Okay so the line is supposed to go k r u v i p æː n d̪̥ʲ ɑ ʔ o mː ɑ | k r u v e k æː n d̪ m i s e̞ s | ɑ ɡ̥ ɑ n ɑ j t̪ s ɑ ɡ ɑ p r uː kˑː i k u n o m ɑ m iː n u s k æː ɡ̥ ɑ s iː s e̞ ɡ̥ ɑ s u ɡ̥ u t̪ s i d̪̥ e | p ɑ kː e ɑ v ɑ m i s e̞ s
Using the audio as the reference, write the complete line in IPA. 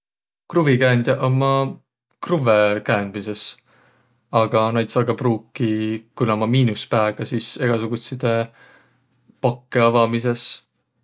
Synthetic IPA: k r u v i k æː n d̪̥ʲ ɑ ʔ o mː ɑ | k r u v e k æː n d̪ m i s e̞ s | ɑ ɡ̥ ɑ n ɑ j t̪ s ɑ ɡ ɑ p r uː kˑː i k u n o m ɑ m iː n u s p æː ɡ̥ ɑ s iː s e̞ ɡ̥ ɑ s u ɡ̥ u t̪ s i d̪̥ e | p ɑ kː e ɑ v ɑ m i s e̞ s

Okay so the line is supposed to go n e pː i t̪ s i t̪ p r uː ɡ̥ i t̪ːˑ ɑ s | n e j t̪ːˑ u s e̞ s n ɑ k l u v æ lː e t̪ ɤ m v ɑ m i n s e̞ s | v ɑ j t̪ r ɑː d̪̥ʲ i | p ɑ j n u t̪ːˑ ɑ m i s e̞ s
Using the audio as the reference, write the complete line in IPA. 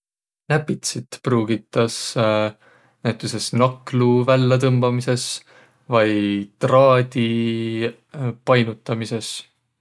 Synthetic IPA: n æ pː i t̪ s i t̪ p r uː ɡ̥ i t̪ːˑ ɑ s | n æ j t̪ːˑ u s e̞ s n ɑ k l u v æ lː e t̪ ɤ m b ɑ m i s e̞ s | v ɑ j t̪ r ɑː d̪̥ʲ i | p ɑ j n u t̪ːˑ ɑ m i s e̞ s

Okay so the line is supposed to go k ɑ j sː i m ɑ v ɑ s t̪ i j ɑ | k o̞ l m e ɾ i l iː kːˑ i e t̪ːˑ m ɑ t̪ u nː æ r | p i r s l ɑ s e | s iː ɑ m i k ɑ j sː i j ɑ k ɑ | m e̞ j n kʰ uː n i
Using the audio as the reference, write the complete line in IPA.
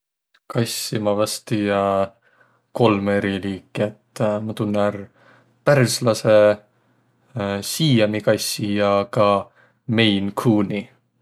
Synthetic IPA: k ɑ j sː i m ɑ v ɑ s t̪ i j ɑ | k o̞ l m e ɾ i l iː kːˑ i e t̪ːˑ m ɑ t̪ u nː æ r | p æ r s l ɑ s e | s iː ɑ m i k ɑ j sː i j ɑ k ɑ | m e̞ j n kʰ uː n i

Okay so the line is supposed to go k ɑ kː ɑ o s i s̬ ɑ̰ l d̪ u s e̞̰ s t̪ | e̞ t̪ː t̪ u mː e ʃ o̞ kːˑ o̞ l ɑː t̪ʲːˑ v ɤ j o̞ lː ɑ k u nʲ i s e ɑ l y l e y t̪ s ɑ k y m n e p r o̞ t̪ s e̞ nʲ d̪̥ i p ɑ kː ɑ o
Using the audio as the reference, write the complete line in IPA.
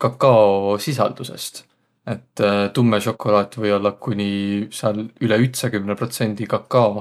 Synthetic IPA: k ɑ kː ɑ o s i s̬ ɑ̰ l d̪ u s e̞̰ s t̪ | e̞ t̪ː t̪ u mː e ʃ o̞ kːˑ o̞ l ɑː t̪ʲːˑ v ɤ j o̞ lː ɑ k u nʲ i s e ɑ l y l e y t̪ s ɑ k y m n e p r o̞ t̪ s e̞ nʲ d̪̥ i k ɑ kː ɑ o

